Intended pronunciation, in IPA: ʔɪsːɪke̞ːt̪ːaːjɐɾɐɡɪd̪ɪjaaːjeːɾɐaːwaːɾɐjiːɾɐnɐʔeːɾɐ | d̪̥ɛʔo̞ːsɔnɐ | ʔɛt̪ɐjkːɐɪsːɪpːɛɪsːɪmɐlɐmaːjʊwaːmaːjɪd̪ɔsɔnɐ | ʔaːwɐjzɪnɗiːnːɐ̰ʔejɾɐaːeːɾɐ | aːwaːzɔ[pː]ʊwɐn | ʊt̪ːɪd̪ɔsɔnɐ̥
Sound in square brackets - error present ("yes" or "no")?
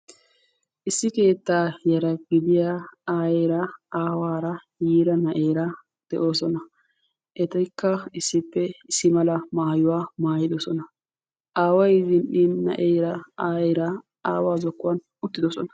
yes